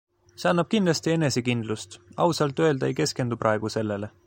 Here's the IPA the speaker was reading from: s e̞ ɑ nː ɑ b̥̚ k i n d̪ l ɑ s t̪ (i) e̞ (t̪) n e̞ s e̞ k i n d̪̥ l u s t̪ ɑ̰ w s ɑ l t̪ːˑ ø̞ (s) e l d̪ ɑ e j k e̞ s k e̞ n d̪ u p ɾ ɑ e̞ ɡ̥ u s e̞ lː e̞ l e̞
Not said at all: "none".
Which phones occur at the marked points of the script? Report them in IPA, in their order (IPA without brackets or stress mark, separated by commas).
i, none, none